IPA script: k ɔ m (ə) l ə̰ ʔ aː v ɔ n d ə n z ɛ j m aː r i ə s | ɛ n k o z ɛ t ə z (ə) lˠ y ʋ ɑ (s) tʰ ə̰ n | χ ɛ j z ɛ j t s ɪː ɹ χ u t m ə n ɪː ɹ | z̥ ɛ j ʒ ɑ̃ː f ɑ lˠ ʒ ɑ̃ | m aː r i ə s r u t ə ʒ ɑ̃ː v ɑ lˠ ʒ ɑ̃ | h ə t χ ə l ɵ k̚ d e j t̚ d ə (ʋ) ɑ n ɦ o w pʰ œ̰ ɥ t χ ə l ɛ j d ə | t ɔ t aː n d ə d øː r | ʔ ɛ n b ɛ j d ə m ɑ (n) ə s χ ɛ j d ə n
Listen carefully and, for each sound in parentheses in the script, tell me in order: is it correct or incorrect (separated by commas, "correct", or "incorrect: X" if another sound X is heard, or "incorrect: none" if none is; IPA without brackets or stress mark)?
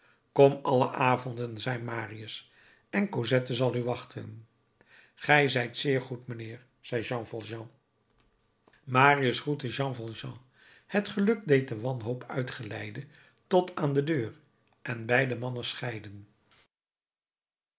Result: incorrect: ɑ, incorrect: ɑ, incorrect: χ, correct, correct